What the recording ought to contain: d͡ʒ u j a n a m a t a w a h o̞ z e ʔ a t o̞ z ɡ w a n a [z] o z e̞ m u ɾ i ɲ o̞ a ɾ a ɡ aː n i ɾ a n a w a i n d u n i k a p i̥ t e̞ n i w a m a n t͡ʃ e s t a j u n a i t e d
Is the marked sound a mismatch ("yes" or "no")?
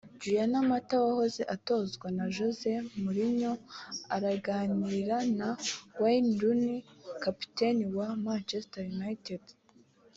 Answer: yes